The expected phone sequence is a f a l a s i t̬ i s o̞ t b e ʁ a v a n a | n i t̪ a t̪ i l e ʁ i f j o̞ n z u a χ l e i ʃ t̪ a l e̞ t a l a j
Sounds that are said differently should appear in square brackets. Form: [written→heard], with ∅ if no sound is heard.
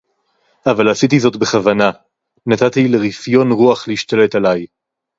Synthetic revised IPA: a [f→v] a l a s i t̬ i [s→z] o̞ t b e [ʁ→χ] a v a n a | n [i→a] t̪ a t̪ i l e ʁ i f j o̞ n [z→ʁ] u a χ l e i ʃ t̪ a l e̞ t a l a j

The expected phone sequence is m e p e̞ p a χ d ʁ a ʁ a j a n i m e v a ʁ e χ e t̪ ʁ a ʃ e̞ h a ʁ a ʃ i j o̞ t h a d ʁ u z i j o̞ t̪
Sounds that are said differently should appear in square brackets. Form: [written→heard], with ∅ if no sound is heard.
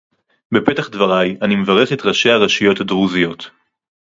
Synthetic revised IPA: [m→b] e p e̞ [p→t] a χ d [ʁ→v] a ʁ a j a n i m e v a ʁ e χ e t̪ ʁ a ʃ e̞ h a ʁ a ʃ i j o̞ t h a d ʁ u z i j o̞ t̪

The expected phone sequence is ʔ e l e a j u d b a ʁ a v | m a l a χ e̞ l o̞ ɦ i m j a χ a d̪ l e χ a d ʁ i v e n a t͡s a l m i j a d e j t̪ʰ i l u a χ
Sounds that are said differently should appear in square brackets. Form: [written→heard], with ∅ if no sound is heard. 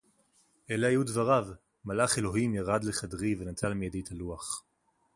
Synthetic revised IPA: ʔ e l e a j u d [b→v] a ʁ a v | m a l a χ e̞ l o̞ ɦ i m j a [χ→ʁ] a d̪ l e χ a d ʁ i v e n a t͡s a l m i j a d e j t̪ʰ [i→a] l u a χ

